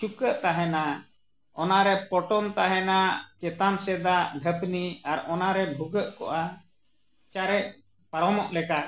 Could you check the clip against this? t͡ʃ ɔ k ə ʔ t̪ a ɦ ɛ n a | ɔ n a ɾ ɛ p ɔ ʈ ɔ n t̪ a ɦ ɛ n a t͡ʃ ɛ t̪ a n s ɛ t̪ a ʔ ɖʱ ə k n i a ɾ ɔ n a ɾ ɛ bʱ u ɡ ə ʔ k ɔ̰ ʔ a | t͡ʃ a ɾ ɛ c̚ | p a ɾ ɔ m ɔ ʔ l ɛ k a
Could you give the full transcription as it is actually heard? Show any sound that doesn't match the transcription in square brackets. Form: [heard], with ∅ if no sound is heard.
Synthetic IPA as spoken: t͡ʃ [u] k ə ʔ t̪ a ɦ ɛ n a | ɔ n a ɾ ɛ p ɔ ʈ ɔ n t̪ a ɦ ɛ n a t͡ʃ ɛ t̪ a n s ɛ [d̪] a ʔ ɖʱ ə [p] n i a ɾ ɔ n a ɾ ɛ bʱ u ɡ ə ʔ k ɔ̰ ʔ a | t͡ʃ a ɾ ɛ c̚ | p a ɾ ɔ m ɔ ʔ l ɛ k a